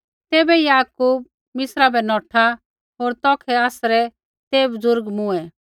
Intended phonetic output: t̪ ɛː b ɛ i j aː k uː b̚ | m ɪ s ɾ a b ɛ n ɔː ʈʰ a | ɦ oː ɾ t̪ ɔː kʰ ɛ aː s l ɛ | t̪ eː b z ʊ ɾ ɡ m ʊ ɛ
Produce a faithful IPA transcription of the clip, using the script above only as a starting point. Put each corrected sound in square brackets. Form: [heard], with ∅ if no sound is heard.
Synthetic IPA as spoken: t̪ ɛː b ɛ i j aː k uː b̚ | m ɪ s ɾ a b ɛ n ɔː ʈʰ a | ɦ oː ɾ t̪ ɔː kʰ ɛ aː s [ɾ] ɛ | t̪ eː b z ʊ ɾ ɡ m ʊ ɛ